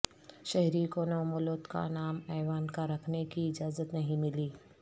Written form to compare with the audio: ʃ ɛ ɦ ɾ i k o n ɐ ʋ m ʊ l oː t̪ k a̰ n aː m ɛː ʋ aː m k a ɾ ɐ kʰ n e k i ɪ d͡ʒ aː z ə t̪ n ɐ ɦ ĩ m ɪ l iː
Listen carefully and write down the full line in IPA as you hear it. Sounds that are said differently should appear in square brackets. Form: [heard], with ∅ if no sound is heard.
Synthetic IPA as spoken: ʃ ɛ ɦ ɾ i k o n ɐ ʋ m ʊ l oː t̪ k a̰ n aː m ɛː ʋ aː [n] k a ɾ ɐ kʰ n e k i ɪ d͡ʒ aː z ə t̪ n ɐ ɦ ĩ m ɪ l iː